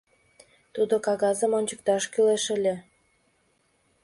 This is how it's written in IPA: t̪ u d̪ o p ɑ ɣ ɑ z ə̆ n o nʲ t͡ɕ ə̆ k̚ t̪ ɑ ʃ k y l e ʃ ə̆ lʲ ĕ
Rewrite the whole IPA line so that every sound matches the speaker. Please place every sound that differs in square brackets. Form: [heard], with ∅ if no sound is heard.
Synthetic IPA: t̪ u d̪ o [k] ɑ ɣ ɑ z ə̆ [m] o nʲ t͡ɕ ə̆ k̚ t̪ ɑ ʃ k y l e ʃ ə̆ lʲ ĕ